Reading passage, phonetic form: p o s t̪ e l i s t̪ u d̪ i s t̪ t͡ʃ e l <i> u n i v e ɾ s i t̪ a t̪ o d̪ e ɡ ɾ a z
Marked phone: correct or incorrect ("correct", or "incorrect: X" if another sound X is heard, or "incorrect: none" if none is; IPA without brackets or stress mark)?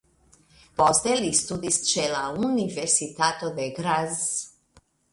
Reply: incorrect: a